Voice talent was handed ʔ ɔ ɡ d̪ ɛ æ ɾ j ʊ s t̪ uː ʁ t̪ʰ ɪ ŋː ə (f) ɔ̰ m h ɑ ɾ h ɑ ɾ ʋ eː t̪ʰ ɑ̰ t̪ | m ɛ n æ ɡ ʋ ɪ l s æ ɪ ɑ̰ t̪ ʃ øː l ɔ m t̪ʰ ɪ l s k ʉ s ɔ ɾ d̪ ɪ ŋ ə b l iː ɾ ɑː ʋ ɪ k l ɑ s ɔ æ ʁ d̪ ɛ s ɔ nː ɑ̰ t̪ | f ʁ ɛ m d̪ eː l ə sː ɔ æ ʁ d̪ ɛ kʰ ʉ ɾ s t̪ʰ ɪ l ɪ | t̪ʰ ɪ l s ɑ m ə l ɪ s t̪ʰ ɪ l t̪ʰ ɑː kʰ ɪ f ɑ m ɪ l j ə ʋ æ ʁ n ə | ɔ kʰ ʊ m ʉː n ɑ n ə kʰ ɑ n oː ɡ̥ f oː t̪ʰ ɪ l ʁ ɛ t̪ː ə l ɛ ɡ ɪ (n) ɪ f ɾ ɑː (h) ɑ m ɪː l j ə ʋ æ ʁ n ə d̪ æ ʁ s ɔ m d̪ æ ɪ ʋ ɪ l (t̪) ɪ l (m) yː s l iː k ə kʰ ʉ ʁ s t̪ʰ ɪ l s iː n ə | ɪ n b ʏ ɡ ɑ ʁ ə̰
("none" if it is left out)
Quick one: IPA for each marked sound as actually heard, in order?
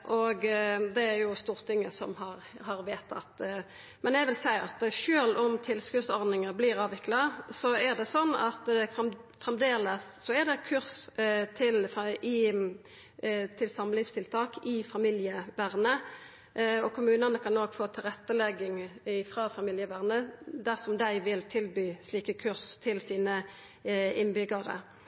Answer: s, ŋ, f, t̪ʰ, b

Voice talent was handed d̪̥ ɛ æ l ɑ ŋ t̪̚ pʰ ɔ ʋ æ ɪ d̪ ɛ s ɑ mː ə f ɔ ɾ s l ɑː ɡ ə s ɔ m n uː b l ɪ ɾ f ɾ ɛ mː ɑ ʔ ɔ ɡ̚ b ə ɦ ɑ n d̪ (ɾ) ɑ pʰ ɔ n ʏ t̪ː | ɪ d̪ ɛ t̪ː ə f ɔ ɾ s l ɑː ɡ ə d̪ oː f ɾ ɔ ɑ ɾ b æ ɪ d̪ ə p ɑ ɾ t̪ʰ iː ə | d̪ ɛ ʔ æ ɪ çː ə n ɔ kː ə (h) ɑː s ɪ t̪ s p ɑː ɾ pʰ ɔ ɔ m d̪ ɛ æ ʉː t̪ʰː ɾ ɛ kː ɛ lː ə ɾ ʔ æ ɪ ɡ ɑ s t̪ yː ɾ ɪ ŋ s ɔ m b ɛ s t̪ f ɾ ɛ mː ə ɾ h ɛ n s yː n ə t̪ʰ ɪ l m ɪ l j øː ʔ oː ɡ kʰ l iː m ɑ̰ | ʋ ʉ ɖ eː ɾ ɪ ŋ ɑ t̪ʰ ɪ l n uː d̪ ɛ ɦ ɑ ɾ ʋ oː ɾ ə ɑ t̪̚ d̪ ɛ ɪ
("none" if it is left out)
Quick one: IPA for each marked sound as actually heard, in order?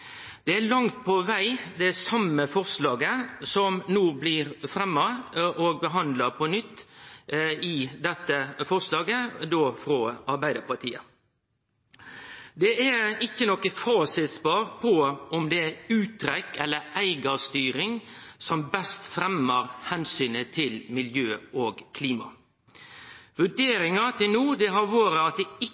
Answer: l, f

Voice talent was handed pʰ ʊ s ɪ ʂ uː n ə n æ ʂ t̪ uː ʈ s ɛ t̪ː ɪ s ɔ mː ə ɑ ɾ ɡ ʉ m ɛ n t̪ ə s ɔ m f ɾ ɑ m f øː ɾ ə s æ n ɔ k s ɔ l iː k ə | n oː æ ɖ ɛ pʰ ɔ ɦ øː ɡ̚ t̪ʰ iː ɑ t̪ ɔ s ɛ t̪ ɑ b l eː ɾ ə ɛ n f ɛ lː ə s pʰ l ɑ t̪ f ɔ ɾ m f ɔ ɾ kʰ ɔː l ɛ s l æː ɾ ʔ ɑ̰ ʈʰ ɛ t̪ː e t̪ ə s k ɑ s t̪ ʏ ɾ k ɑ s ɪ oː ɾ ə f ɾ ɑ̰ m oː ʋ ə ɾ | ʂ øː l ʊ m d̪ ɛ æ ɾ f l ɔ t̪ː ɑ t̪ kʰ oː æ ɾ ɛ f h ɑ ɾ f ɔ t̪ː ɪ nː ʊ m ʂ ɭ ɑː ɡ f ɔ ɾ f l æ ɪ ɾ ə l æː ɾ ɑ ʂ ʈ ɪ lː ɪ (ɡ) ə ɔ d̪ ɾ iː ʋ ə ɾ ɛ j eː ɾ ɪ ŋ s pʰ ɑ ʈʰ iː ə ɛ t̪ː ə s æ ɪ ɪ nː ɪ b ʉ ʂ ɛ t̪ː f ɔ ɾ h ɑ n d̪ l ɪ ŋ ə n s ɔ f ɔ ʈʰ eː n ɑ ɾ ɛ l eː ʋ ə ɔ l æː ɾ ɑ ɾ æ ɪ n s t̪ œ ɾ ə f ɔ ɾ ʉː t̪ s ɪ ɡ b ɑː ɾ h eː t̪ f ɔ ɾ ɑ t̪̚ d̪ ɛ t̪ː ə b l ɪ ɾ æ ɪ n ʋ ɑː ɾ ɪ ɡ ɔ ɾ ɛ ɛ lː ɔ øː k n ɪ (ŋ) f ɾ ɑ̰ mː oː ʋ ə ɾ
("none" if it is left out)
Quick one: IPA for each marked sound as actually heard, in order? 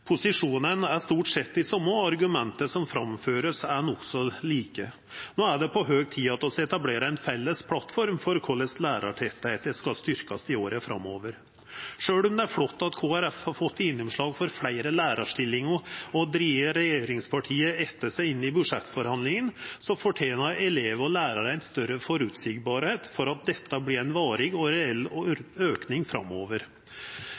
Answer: ŋ, ŋ

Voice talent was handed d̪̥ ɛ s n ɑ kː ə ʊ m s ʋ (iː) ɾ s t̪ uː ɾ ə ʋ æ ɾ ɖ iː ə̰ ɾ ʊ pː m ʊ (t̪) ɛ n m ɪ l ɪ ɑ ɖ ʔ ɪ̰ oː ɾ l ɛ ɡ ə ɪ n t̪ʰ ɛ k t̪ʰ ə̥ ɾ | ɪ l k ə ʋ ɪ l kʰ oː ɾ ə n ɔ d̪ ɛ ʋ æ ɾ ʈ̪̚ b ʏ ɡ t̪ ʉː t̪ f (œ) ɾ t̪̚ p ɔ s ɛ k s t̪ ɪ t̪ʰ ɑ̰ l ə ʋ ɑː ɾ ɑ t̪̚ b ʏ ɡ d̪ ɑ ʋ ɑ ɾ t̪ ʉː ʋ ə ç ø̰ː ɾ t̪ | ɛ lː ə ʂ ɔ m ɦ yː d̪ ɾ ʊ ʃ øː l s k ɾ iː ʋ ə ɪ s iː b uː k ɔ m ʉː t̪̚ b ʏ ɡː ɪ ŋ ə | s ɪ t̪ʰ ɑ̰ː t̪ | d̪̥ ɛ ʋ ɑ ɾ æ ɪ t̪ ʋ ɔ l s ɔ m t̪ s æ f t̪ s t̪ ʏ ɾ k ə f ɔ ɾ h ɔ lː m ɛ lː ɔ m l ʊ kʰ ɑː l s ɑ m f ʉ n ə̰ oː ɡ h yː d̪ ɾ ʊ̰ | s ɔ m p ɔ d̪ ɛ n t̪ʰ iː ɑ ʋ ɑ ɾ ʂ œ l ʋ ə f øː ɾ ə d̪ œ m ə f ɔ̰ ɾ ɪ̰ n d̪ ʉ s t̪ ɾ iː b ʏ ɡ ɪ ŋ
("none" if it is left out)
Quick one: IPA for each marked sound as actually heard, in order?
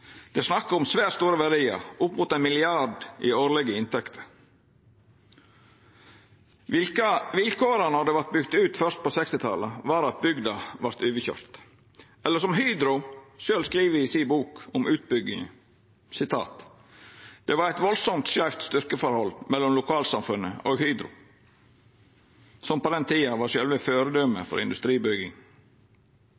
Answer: æː, t̪, œ

